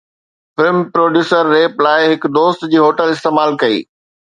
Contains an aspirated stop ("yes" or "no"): no